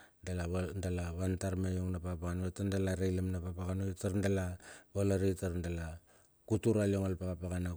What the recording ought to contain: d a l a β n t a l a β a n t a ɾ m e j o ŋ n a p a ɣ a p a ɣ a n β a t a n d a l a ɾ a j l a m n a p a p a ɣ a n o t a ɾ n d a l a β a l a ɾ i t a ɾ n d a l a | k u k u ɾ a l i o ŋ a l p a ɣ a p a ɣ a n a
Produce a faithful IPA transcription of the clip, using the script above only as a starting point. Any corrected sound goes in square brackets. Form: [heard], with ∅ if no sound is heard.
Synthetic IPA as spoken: d a l a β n [d] a l a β a n t a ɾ m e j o ŋ n a p a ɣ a p a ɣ a n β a t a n d a l a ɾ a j l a m n a p a p a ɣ a n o t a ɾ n d a l a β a l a ɾ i t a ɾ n d a l a | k u [t] u ɾ a l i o ŋ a l p a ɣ a p a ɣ a n a